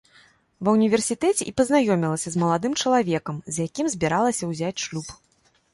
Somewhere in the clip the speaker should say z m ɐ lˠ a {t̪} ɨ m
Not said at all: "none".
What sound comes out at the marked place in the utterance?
d̪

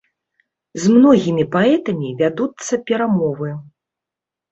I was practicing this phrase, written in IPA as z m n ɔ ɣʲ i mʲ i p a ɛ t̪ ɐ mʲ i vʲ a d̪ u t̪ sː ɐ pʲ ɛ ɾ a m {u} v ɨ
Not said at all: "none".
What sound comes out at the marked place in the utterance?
ɔ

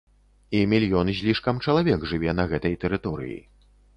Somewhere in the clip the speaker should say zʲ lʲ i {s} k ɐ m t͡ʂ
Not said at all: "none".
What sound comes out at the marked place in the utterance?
ʂ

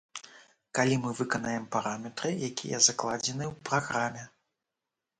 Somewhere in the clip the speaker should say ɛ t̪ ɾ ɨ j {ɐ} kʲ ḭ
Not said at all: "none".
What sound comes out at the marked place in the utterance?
a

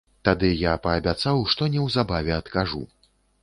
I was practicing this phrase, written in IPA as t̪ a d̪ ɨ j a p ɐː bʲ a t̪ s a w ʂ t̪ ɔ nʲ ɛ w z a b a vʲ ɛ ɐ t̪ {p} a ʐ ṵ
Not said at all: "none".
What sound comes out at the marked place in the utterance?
k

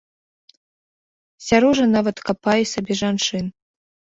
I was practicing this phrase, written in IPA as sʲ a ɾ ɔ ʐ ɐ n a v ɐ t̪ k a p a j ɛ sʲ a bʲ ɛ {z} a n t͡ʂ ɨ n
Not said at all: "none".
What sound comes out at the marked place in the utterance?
ʐ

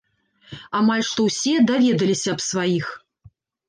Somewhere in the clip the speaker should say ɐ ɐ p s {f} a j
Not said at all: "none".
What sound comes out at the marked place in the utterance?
v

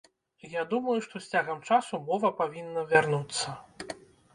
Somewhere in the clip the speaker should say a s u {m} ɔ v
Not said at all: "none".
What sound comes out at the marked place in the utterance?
m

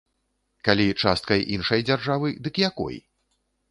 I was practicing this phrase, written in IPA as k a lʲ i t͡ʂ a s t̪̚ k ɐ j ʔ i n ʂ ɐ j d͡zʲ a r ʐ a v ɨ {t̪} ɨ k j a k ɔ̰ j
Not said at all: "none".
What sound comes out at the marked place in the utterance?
d̪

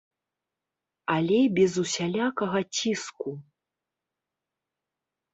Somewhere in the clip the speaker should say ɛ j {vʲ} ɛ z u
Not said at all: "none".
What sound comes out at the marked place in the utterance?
bʲ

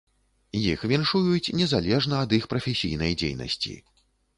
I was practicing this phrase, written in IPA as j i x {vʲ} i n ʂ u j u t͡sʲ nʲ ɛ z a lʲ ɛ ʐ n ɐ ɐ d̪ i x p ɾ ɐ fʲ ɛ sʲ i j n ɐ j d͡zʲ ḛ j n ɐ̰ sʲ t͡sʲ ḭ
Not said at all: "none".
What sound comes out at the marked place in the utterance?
vʲ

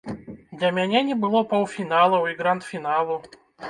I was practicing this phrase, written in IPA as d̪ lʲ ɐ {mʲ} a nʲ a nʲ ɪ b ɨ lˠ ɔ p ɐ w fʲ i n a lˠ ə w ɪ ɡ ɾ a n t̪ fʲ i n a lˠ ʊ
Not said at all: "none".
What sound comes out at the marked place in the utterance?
mʲ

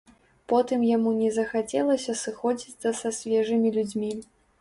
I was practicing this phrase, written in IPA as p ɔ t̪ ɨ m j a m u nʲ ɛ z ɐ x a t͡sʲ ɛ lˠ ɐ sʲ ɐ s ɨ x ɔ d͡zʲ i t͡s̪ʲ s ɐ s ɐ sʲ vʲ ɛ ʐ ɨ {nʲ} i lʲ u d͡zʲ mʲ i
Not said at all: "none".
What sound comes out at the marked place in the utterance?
mʲ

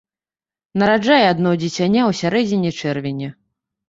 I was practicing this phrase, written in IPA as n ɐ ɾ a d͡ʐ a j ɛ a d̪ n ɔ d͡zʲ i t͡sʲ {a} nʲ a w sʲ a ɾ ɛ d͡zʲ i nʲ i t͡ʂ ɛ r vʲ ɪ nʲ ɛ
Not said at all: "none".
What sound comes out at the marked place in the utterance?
a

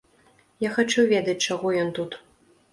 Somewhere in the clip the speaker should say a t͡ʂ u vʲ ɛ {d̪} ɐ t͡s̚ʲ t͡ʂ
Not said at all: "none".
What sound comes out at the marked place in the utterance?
d̪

